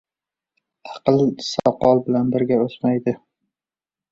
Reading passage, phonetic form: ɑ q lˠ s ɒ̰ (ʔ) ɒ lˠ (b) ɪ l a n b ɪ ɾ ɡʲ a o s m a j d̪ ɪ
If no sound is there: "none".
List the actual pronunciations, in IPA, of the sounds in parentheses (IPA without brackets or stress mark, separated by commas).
q, b